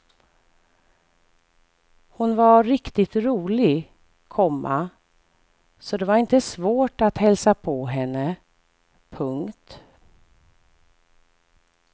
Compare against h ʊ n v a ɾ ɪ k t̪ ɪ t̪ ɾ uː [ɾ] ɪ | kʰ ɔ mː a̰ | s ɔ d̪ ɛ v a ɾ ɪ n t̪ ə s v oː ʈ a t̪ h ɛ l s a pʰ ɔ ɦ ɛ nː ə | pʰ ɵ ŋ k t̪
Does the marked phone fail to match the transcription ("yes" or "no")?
yes